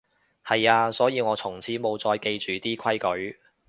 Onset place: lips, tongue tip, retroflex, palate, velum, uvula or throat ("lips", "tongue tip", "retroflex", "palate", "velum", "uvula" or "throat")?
throat